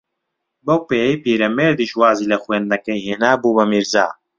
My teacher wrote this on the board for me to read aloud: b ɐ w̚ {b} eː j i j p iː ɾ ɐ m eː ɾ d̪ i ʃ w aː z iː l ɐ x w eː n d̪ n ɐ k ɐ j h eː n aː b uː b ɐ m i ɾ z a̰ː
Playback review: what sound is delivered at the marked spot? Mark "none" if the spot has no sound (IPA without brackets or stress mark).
p